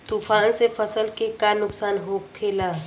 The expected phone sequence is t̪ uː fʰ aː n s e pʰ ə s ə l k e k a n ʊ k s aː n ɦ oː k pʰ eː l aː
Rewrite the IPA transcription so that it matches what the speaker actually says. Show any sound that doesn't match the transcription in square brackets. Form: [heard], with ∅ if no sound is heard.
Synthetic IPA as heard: t̪ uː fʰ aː n s e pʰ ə s ə l k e k a n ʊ k s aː n ɦ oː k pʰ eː l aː